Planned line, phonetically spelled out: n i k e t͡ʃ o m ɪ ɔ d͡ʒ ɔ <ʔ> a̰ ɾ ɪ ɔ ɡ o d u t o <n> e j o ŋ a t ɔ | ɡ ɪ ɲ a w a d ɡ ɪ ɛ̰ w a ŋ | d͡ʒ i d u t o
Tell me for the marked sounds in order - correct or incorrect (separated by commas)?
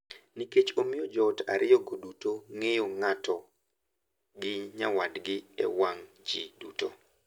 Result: incorrect, incorrect